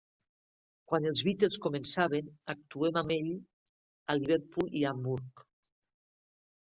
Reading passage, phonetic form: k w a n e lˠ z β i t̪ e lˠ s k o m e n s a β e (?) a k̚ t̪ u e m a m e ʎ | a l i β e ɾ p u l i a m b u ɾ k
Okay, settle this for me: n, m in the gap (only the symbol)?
n